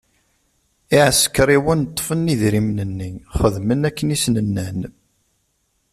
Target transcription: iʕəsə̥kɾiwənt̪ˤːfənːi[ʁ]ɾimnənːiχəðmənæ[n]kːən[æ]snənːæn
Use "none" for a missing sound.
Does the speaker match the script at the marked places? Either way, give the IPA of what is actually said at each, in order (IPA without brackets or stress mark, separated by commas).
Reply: ð, none, i